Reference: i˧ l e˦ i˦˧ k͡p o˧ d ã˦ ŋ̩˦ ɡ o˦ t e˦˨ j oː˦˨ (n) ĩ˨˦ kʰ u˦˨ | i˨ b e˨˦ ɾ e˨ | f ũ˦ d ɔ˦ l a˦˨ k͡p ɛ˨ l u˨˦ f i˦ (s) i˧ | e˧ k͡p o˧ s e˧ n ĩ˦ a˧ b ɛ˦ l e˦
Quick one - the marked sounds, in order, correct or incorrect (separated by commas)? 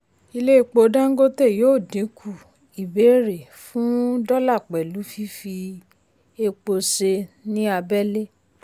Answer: incorrect, incorrect